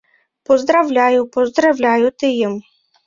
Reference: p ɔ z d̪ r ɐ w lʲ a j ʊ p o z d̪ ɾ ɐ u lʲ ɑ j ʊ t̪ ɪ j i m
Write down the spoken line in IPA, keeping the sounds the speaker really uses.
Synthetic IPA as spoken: p ɔ z d̪ ɾ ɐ w lʲ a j ʊ p ɔ z d̪ ɾ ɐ w lʲ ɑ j ʊ t̪ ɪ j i m